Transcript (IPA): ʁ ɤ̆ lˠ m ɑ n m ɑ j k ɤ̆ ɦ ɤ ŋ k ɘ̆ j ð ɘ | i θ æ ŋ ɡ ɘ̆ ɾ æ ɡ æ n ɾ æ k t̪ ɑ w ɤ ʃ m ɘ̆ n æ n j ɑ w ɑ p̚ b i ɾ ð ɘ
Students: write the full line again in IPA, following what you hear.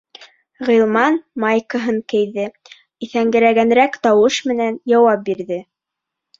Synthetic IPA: ʁ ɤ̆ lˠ m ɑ n m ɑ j k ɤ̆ ɦ ɤ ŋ k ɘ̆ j ð ɘ | i θ æ ŋ ɡ ɘ̆ ɾ æ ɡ æ n ɾ æ k t̪ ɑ w ɤ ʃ m ɘ̆ n æ n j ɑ w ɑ p̚ b i ɾ ð ɘ